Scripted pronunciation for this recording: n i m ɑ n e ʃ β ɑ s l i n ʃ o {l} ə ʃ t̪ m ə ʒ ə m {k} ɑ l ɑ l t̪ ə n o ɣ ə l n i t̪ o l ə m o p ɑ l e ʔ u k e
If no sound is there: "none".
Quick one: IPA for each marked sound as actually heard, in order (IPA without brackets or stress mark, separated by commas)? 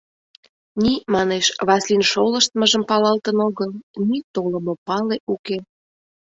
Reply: l, p